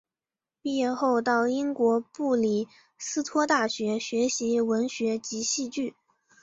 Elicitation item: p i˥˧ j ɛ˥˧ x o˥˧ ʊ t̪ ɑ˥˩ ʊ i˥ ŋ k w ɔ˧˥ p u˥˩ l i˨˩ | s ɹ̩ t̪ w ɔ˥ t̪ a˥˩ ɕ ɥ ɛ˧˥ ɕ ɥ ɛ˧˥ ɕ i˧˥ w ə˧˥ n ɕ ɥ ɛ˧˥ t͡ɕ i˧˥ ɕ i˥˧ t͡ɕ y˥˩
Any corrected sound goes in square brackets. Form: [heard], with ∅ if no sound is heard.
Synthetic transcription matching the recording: p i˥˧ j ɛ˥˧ x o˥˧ ʊ t̪ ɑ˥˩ ʊ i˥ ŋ k w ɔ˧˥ p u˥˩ l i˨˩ | s ɹ̩ [t̪ʰ] w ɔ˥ t̪ a˥˩ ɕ ɥ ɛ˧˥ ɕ ɥ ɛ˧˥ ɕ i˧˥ w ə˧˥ n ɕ ɥ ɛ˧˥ t͡ɕ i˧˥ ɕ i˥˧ t͡ɕ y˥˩

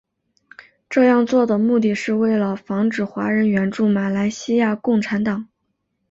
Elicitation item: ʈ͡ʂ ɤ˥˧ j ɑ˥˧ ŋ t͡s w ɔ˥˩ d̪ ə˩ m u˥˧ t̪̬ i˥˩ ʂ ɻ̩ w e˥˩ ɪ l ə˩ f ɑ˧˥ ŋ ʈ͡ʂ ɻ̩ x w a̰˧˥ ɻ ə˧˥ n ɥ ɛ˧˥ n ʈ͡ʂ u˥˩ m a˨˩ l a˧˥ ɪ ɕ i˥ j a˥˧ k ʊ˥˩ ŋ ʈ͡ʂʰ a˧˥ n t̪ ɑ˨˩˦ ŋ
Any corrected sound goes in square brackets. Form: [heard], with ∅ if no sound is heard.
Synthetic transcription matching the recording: ʈ͡ʂ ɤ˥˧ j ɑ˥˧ ŋ t͡s w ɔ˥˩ d̪ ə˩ m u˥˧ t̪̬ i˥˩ ʂ ɻ̩ w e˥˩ ɪ l ə˩ f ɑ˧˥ ŋ ʈ͡ʂ ɻ̩ x w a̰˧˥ ɻ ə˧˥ n ɥ ɛ˧˥ n ʈ͡ʂ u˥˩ m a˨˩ l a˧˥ ɪ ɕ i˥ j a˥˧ k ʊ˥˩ ŋ ʈ͡ʂʰ a˧˥ n t̪ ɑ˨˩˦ ŋ

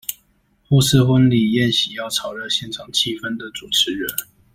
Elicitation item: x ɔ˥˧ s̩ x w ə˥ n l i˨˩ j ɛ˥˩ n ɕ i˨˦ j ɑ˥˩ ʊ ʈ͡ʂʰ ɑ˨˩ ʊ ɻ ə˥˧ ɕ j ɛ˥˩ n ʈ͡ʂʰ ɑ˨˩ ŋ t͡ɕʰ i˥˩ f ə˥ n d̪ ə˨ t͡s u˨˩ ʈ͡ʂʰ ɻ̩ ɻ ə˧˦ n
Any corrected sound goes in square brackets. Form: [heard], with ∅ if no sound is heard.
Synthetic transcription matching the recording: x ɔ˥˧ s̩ x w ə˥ n l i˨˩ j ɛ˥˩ n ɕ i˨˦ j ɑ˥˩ ʊ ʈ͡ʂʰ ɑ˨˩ ʊ ɻ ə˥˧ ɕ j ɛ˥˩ n ʈ͡ʂʰ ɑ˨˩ ŋ t͡ɕʰ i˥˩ f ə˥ n d̪ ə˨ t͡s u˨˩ ʈ͡ʂʰ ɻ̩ ɻ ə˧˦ n

